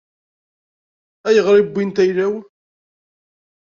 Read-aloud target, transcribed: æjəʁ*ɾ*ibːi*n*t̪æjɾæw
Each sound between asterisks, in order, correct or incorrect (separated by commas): correct, correct